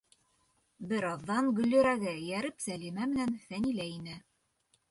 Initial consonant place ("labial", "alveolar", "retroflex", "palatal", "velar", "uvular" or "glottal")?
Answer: labial